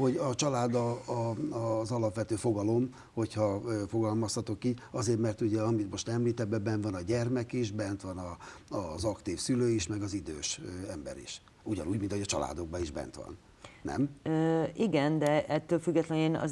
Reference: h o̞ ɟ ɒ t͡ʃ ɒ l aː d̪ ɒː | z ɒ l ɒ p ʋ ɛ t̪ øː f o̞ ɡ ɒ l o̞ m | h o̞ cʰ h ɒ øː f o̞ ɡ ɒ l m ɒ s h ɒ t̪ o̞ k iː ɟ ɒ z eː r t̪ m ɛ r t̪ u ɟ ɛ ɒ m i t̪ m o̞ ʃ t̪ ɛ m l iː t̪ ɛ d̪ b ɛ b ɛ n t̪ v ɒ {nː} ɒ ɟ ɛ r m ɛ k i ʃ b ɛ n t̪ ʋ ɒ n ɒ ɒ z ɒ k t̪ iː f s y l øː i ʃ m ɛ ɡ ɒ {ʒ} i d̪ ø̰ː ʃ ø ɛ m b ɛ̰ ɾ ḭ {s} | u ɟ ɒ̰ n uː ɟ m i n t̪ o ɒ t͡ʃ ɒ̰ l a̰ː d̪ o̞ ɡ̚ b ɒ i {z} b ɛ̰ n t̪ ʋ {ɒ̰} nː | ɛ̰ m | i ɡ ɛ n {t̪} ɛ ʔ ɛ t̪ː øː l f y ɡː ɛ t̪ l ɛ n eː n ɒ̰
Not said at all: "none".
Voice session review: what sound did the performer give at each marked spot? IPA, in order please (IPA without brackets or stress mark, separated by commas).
n, z, ʃ, ʒ, ɒ̰, d̪